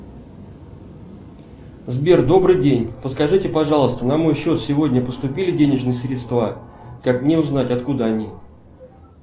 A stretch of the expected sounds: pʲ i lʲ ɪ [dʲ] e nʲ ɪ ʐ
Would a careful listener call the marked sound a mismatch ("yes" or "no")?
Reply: no